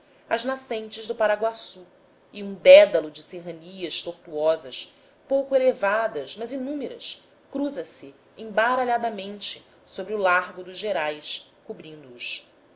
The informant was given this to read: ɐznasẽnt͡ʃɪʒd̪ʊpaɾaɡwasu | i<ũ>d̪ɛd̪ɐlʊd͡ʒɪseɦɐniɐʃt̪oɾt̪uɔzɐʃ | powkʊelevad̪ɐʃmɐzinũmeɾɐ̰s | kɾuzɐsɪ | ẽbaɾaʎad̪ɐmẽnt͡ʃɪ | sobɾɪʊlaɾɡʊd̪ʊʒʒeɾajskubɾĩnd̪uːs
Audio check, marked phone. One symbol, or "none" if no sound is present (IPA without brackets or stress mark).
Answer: ũ